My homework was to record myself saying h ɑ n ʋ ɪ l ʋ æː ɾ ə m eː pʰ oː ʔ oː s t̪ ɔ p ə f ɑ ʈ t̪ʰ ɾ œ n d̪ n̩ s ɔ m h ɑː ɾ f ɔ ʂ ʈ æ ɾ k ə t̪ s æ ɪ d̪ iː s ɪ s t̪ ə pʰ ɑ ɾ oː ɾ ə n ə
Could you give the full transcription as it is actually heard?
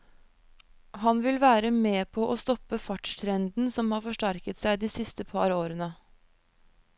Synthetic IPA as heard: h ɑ n ʋ ɪ l ʋ æː ɾ ə m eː pʰ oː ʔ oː s t̪ ɔ p ə f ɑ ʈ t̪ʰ ɾ ɛ n d̪ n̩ s ɔ m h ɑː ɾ f ɔ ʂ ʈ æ ɾ k ə t̪ s æ ɪ d̪ iː s ɪ s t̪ ə pʰ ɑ ɾ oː ɾ ə n ə